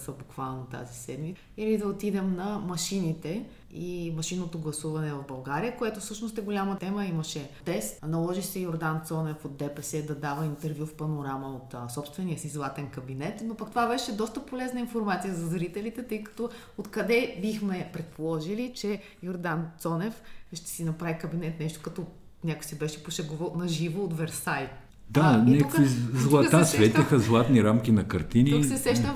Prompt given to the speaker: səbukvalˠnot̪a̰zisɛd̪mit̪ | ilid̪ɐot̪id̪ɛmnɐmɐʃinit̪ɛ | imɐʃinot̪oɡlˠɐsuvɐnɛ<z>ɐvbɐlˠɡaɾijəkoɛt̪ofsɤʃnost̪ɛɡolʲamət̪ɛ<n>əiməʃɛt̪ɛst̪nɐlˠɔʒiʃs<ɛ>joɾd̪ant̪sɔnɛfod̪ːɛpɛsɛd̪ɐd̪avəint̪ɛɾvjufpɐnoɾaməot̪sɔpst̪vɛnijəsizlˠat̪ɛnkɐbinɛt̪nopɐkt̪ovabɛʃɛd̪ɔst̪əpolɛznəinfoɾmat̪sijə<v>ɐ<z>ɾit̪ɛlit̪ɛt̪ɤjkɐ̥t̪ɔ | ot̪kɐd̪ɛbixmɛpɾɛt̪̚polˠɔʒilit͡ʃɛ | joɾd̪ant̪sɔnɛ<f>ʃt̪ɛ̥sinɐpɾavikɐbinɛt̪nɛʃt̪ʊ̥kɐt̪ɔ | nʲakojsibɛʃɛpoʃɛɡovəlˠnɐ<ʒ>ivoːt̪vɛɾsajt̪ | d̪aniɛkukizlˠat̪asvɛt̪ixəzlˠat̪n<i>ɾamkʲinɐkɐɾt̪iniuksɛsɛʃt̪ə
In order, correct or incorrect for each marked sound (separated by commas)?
incorrect, incorrect, correct, incorrect, correct, correct, correct, correct